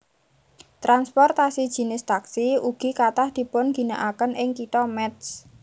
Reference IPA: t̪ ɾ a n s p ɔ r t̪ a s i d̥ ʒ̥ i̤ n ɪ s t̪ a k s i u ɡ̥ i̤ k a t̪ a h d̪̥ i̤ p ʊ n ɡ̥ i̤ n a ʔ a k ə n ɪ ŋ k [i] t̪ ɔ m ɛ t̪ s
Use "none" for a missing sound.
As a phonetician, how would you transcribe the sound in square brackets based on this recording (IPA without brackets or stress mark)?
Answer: i